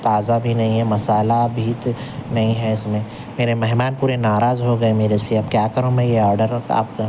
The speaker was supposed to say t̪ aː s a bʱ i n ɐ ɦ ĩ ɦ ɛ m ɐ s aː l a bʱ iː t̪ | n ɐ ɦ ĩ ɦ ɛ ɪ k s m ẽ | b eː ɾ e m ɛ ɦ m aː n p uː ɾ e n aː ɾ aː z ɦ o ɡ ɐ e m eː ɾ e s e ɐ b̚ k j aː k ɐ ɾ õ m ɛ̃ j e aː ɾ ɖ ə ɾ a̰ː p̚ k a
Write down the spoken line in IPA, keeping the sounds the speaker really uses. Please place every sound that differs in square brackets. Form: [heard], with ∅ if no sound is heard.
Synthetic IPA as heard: t̪ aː [z] a bʱ i n ɐ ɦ ĩ ɦ ɛ m ɐ s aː l a bʱ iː t̪ | n ɐ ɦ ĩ ɦ ɛ ɪ [∅] s m ẽ | [m] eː ɾ e m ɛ ɦ m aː n p uː ɾ e n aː ɾ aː z ɦ o ɡ ɐ e m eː ɾ e s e ɐ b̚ k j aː k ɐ ɾ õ m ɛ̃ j e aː ɾ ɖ ə ɾ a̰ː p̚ k a

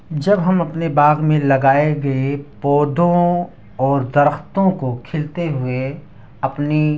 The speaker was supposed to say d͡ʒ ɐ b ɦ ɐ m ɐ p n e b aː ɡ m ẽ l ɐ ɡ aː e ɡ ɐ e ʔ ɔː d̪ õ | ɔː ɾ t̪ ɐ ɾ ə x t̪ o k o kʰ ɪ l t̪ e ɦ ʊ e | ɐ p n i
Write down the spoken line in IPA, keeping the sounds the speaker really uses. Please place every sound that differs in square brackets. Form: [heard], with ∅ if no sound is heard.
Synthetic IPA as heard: d͡ʒ ɐ b ɦ ɐ m ɐ p n e b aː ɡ m ẽ l ɐ ɡ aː e ɡ ɐ e [p] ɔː d̪ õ | ɔː ɾ [d̪] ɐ ɾ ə x t̪ [õ] k o kʰ ɪ l t̪ e ɦ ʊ e | ɐ p n i

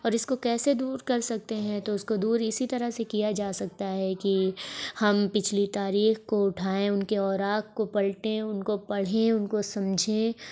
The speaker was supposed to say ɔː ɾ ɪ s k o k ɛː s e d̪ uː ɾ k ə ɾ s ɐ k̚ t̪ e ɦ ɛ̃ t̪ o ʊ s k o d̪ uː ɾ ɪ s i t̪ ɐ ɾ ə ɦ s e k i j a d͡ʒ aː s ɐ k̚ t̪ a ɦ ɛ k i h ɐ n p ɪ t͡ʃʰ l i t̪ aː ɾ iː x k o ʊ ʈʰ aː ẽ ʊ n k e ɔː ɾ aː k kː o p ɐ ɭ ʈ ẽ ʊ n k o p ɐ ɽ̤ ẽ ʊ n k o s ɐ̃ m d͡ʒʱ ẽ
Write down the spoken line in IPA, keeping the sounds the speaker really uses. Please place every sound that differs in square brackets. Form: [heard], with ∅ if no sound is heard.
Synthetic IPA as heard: ɔː ɾ ɪ s k o k ɛː s e d̪ uː ɾ k [ɐ] ɾ s ɐ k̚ t̪ e ɦ ɛ̃ t̪ o ʊ s k o d̪ uː ɾ ɪ s i t̪ ɐ ɾ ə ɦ s e k i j a d͡ʒ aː s ɐ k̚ t̪ a ɦ ɛ k i h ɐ [m] p ɪ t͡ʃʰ l i t̪ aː ɾ iː x k o ʊ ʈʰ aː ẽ ʊ n k e ɔː ɾ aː k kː o p ɐ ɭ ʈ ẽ ʊ n k o p ɐ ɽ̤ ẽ ʊ n k o s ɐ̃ m d͡ʒʱ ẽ

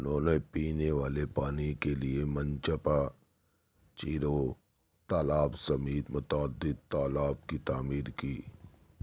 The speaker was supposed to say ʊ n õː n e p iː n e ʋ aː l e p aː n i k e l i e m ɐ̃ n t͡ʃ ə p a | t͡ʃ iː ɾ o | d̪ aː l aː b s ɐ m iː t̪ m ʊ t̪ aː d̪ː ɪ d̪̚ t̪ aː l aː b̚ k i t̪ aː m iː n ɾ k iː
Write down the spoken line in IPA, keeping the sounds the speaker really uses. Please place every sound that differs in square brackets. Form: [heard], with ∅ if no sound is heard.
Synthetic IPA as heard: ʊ n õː n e p iː n e ʋ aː l e p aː n i k e l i e m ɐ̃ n t͡ʃ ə p a | t͡ʃ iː ɾ o | [t̪] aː l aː b s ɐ m iː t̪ m ʊ t̪ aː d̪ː ɪ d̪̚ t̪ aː l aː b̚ k i t̪ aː m iː [∅] ɾ k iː

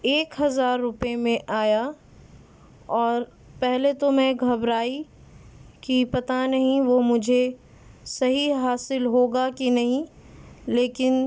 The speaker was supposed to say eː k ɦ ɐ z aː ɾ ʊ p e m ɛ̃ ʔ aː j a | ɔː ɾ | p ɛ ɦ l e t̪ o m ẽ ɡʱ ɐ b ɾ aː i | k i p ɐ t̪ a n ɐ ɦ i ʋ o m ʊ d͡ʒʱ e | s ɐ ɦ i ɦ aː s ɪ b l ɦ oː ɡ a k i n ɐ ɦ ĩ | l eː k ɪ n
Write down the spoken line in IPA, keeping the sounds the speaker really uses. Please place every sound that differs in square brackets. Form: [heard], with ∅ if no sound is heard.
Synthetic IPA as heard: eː k ɦ ɐ z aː [ɾː] ʊ p e m [ẽ] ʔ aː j a | ɔː ɾ | p ɛ ɦ l e t̪ o m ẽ ɡʱ ɐ b ɾ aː i | k i p ɐ t̪ a n ɐ ɦ [ĩ] ʋ o m ʊ d͡ʒʱ e | s ɐ ɦ i ɦ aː s ɪ [∅] l ɦ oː ɡ a k i n ɐ ɦ ĩ | l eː k ɪ n

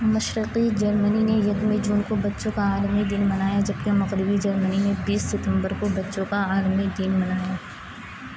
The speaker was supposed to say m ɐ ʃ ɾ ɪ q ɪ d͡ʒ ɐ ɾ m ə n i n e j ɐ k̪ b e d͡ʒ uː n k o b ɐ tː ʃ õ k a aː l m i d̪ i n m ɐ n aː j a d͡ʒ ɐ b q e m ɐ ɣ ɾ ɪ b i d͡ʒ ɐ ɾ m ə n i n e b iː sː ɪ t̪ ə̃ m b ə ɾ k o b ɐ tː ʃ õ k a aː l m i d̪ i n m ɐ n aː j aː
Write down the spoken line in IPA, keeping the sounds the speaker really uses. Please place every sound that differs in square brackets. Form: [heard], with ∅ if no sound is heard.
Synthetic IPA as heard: m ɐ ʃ ɾ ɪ q [i] d͡ʒ ɐ ɾ m ə n i n e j ɐ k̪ [m] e d͡ʒ uː n k o b ɐ tː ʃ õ k a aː l m i d̪ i n m ɐ n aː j a d͡ʒ ɐ b [k] e m ɐ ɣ ɾ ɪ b i d͡ʒ ɐ ɾ m ə n i n e b iː sː ɪ t̪ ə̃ m b ə ɾ k o b ɐ tː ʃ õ k a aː l m i d̪ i n m ɐ n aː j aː

